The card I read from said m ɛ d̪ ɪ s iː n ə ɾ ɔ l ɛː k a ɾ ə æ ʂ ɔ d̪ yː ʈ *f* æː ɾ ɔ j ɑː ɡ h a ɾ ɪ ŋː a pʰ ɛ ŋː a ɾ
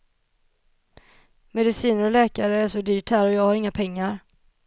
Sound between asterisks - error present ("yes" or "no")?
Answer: yes